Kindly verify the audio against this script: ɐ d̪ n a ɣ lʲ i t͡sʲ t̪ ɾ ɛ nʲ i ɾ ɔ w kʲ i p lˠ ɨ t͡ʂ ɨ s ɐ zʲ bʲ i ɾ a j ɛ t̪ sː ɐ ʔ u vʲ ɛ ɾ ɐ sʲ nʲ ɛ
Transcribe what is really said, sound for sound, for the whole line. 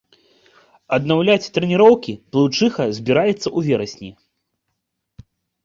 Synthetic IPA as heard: ɐ d̪ n a w lʲ a t͡sʲ t̪ ɾ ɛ nʲ i ɾ ɔ w kʲ i p lˠ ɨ t͡ʂ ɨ x ɐ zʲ bʲ i ɾ a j ɛ t̪ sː ɐ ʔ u vʲ ɛ ɾ ɐ sʲ nʲ i